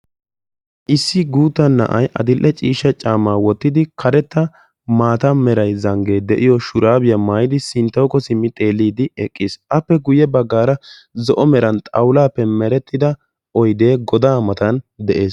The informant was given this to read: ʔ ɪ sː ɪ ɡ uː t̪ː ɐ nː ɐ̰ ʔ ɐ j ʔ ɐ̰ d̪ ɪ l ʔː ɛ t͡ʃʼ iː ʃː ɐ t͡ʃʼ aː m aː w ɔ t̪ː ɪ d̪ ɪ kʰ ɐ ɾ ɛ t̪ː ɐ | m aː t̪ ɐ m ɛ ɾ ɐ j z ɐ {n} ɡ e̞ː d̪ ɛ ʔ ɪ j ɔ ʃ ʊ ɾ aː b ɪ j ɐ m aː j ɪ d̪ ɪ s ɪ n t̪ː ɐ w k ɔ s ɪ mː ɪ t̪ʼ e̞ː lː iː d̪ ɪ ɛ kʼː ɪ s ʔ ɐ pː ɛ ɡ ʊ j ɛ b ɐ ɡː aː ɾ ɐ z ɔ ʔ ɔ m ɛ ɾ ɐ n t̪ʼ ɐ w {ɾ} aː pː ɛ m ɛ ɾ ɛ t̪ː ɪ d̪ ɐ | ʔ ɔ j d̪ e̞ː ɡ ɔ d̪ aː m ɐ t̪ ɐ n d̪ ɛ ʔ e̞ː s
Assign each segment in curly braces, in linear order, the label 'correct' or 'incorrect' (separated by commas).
incorrect, incorrect